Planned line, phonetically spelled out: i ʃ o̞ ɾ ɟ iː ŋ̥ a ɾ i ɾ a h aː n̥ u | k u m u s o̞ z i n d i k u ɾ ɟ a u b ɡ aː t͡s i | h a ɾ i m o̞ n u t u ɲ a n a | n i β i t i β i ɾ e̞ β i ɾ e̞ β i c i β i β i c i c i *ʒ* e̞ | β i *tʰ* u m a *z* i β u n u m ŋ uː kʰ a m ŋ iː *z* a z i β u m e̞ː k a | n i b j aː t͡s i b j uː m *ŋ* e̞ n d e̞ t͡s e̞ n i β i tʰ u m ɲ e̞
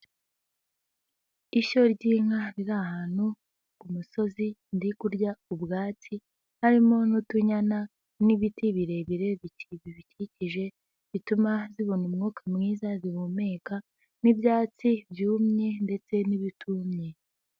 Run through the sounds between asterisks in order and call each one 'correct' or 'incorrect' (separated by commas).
correct, incorrect, correct, correct, incorrect